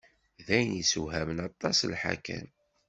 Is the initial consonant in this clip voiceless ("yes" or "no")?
no